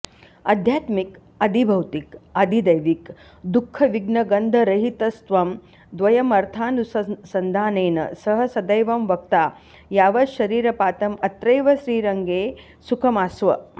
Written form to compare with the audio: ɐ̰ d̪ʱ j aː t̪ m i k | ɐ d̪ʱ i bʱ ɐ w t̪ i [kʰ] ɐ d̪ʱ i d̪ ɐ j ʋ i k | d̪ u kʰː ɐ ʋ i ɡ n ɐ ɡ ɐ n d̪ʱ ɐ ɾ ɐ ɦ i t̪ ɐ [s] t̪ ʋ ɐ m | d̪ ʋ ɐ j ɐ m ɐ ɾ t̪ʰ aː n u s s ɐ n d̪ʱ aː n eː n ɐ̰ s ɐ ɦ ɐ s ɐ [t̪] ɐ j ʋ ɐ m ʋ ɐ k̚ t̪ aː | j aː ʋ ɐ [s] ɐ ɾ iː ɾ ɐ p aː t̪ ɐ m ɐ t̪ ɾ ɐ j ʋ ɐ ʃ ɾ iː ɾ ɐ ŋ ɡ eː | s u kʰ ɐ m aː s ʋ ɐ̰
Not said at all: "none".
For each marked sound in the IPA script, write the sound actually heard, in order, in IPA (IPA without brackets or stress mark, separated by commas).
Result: k, s, d̪, ʃ